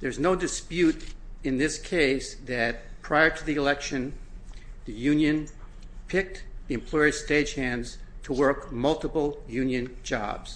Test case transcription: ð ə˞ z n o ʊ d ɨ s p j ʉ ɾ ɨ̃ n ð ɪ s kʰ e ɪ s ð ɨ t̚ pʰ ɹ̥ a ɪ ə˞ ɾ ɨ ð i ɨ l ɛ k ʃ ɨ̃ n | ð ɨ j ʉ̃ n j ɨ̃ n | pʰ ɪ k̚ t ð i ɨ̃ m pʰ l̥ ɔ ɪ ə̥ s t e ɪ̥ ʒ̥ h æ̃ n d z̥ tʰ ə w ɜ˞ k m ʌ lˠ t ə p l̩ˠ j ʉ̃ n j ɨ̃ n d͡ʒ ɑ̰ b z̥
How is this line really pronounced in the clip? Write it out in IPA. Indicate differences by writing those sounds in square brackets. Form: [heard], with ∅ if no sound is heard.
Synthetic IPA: ð ə˞ z n o ʊ d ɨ s p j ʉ ɾ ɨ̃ n ð ɪ s kʰ e ɪ s ð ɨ t̚ pʰ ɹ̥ a ɪ ə˞ ɾ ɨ ð i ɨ l ɛ k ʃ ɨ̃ n | ð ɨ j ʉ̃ n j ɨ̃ n | pʰ ɪ k̚ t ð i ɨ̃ m pʰ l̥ ɔ ɪ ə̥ s t e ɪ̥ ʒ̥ h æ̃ n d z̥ tʰ ə w ɜ˞ k m ʌ lˠ t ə p l̩ˠ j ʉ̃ n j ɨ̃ n d͡ʒ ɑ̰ b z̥